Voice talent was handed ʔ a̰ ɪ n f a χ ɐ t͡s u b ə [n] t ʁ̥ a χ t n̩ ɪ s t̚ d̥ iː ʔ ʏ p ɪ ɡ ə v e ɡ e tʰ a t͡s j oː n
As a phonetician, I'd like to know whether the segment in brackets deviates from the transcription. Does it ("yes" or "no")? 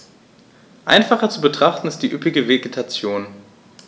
yes